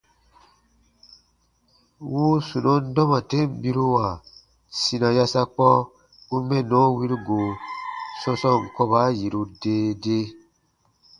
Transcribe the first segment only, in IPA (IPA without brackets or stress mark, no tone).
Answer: w